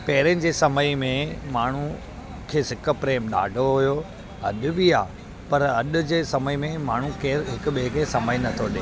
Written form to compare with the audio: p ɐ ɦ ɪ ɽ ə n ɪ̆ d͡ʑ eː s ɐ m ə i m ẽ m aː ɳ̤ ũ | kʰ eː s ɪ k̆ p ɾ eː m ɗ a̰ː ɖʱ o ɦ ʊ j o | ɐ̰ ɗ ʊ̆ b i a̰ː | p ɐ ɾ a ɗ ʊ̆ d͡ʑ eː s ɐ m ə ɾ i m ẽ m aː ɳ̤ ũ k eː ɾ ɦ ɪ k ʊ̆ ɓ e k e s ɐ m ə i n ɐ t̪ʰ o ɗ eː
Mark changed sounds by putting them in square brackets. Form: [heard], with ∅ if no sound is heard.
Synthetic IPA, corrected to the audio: p ɐ ɦ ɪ [ɾ] ə n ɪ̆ d͡ʑ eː s ɐ m ə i m ẽ m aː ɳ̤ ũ | kʰ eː s ɪ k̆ p ɾ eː m ɗ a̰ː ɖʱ o ɦ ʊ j o | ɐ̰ ɗ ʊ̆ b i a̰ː | p ɐ ɾ [ɐ] ɗ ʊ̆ d͡ʑ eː s ɐ m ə [∅] i m ẽ m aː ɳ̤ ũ k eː ɾ ɦ ɪ k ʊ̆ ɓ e k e s ɐ m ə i n ɐ t̪ʰ o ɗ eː